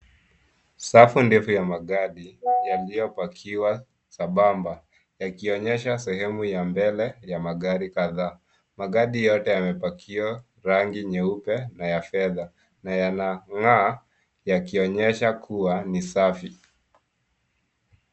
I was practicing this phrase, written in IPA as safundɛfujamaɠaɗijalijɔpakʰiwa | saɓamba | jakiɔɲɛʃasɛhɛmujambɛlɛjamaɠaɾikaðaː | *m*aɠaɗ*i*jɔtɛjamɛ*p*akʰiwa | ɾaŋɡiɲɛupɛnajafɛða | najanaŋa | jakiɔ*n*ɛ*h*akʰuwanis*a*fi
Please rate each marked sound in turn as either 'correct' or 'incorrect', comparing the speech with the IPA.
correct, correct, correct, incorrect, incorrect, correct

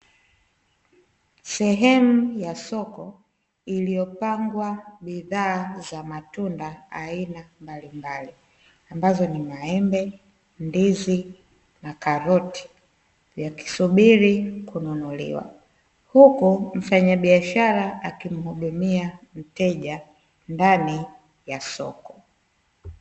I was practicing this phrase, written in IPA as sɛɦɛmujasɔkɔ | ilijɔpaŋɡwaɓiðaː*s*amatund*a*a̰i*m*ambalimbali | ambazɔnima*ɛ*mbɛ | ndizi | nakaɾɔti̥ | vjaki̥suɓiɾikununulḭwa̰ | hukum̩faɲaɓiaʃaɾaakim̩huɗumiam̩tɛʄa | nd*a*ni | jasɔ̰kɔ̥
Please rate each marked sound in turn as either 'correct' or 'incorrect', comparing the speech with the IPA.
incorrect, correct, incorrect, correct, correct

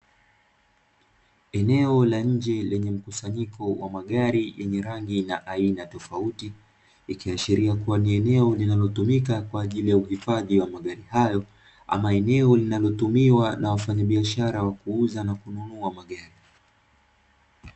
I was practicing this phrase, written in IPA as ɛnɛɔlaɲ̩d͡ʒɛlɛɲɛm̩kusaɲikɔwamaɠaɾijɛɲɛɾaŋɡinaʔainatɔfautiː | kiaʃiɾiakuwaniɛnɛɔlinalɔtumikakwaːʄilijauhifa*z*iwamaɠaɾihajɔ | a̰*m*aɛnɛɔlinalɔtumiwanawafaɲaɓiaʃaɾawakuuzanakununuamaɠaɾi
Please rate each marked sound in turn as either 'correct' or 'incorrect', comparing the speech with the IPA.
incorrect, correct

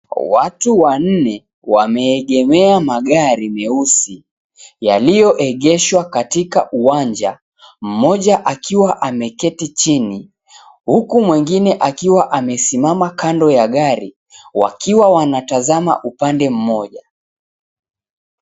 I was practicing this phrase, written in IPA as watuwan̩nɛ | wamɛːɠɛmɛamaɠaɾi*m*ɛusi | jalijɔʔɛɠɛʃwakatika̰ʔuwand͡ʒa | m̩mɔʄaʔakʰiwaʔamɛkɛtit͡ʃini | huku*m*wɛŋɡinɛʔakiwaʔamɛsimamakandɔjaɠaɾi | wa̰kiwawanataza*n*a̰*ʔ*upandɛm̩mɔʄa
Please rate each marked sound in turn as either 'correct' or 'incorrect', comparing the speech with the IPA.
correct, correct, incorrect, correct

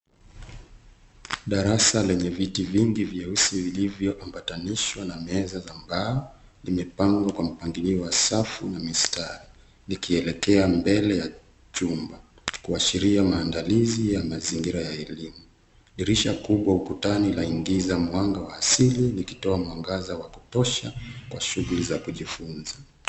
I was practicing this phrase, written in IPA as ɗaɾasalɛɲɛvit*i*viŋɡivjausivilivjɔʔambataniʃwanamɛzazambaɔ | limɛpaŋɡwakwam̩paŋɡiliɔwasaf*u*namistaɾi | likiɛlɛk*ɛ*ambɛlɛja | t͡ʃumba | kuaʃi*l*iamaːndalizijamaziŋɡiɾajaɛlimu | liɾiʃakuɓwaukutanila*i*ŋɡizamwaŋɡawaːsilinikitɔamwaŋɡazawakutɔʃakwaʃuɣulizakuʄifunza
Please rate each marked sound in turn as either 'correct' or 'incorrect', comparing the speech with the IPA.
correct, correct, correct, incorrect, correct

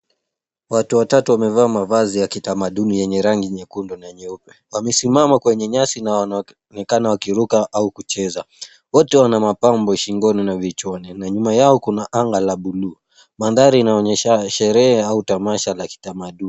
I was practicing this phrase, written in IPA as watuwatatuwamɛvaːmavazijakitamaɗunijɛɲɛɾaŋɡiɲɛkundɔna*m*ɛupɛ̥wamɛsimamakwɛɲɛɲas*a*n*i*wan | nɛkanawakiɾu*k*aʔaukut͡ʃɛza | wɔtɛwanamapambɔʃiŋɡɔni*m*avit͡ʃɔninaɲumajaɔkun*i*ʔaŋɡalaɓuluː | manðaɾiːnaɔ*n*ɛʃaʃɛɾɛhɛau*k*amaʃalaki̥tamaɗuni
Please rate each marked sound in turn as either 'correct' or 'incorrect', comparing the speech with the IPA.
incorrect, incorrect, incorrect, correct, incorrect, incorrect, incorrect, incorrect

